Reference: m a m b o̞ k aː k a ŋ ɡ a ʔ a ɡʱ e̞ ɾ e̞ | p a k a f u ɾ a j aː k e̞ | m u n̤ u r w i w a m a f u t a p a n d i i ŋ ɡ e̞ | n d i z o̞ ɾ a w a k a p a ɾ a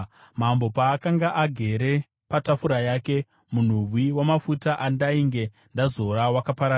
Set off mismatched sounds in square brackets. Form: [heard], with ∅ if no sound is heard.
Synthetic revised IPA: m a m b o̞ [p] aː k a ŋ ɡ a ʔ a ɡʱ e̞ ɾ e̞ | p a [t] a f u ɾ a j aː k e̞ | m u n̤ u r w i w a m a f u t a [ʔ] a n d [a] i ŋ ɡ e̞ | n d [a] z o̞ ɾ a w a k a p a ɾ a